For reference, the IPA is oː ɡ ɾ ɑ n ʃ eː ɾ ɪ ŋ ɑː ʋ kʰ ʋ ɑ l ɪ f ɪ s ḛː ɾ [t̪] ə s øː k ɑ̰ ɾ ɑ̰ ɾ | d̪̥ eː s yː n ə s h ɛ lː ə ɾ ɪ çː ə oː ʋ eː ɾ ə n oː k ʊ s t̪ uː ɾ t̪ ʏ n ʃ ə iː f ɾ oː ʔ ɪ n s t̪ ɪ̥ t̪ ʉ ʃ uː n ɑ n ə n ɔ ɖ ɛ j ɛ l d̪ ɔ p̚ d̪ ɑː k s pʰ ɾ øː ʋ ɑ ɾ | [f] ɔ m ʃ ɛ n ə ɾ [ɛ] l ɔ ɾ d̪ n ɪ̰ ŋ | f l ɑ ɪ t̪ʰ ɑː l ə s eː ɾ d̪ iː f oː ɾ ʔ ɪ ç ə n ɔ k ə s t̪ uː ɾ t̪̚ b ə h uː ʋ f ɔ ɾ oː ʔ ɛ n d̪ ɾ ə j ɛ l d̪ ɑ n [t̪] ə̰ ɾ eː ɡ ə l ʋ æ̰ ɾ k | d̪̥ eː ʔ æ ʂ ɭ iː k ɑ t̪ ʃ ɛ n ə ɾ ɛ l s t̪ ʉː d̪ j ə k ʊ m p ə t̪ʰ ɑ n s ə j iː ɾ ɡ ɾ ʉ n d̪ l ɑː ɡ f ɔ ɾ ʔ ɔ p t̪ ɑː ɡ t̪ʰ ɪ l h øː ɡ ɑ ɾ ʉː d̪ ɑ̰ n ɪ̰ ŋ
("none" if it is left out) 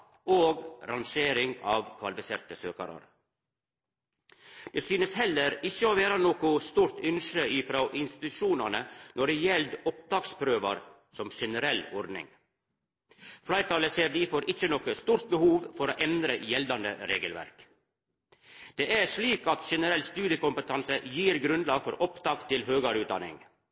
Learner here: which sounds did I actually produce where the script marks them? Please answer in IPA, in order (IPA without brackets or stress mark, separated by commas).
t̪, s, ɛ, d̪